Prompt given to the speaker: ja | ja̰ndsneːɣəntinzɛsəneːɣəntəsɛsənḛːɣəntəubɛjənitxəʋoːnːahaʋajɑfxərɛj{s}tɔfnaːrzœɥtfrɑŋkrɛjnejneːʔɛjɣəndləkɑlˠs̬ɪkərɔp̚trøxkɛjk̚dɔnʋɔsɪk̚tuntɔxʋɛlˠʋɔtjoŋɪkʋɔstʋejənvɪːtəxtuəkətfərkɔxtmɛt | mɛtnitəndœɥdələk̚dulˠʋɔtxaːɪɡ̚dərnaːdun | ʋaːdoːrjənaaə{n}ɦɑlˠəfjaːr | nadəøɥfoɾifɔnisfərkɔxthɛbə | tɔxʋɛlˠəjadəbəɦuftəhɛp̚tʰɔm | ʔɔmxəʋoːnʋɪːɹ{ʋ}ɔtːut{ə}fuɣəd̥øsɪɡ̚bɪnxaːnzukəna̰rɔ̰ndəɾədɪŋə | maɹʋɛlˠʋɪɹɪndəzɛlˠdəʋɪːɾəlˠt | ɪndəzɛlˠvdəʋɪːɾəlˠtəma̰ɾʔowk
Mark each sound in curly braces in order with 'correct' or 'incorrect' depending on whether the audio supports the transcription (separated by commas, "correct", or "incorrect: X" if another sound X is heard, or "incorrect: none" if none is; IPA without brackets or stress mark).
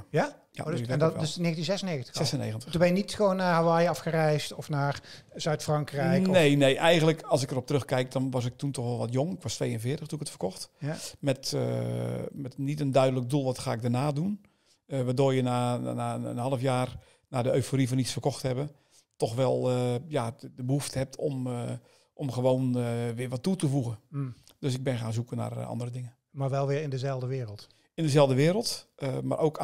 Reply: correct, correct, correct, correct